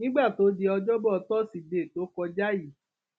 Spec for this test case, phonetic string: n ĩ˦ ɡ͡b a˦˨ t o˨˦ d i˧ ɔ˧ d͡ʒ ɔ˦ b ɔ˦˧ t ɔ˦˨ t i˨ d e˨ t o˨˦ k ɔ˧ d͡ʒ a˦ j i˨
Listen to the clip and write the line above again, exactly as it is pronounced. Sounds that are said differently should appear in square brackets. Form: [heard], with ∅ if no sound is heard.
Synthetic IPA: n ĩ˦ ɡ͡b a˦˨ t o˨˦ d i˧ ɔ˧ d͡ʒ ɔ˦ b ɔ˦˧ t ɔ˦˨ [s] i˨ d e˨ t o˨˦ k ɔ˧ d͡ʒ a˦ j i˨